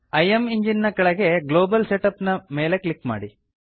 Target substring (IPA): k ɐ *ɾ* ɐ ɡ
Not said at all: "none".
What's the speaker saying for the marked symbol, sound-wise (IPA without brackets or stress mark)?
ɭ